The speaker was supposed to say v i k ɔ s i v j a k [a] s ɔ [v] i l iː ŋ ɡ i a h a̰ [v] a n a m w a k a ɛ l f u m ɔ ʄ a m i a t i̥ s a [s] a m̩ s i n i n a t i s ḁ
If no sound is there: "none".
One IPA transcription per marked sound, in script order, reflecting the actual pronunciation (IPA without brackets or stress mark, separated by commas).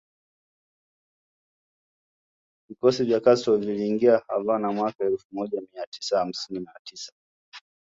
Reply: a, v, v, h